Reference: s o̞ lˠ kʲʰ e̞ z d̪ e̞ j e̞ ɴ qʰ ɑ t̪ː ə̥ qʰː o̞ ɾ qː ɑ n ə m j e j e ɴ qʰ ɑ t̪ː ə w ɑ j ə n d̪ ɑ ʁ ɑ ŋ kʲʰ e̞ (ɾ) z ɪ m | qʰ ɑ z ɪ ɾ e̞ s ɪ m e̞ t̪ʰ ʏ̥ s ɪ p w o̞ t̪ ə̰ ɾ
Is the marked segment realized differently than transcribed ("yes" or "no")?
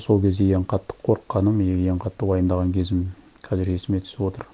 yes